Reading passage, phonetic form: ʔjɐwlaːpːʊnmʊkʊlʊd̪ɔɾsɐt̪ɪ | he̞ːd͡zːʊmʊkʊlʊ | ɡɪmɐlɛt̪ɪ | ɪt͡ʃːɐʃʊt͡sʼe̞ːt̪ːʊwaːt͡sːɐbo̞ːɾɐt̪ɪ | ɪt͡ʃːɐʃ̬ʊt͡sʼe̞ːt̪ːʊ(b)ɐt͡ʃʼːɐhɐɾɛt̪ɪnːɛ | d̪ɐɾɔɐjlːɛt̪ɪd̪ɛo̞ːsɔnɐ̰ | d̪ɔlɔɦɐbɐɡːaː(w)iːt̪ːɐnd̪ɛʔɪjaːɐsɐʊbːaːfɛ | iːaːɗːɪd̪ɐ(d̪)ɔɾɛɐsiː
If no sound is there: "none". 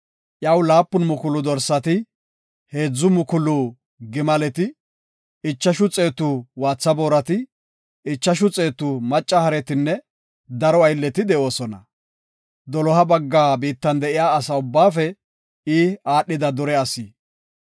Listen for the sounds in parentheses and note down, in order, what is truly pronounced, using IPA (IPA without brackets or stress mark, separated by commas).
m, b, d̪